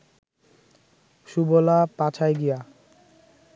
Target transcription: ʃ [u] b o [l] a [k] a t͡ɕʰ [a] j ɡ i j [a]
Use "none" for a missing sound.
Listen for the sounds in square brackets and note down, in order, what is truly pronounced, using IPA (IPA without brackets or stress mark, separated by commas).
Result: u, l, p, a, a